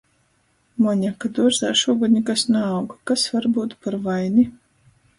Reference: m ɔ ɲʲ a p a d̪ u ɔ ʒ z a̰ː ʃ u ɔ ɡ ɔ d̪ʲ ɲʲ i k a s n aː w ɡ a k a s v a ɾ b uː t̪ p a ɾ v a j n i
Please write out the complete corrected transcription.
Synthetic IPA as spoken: m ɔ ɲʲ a k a d̪ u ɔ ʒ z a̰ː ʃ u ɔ ɡ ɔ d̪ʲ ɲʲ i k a s n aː w ɡ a k a s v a ɾ b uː t̪ p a ɾ v a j n i